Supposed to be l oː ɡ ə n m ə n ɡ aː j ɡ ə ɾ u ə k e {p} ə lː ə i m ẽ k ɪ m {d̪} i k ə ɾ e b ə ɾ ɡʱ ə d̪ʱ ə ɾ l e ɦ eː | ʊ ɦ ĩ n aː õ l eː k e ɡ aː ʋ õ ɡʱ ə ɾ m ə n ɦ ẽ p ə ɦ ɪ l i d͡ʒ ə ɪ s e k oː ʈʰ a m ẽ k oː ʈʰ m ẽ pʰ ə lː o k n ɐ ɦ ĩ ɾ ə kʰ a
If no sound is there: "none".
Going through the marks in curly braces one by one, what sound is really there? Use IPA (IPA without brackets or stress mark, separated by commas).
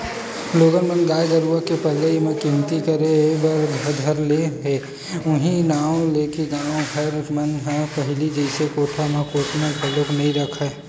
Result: p, t̪